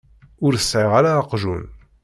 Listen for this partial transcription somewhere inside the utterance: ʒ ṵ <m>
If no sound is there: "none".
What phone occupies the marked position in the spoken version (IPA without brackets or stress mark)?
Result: n